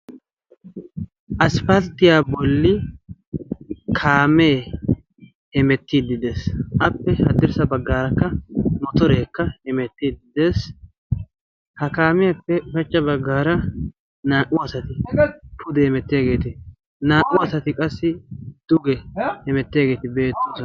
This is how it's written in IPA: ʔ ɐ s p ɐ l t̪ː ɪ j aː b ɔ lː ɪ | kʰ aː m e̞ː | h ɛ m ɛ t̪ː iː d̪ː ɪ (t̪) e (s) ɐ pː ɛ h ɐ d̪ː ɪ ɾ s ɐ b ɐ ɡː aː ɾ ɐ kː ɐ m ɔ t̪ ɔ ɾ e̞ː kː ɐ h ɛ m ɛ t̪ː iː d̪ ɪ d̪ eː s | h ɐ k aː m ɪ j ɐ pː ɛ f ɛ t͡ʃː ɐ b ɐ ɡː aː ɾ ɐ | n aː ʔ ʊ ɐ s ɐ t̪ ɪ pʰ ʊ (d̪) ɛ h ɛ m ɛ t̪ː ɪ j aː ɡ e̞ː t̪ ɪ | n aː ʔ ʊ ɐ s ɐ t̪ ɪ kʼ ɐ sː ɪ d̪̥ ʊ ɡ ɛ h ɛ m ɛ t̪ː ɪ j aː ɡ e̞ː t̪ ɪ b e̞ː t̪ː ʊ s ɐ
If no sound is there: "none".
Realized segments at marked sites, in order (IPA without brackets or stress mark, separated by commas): d̪, s, d̪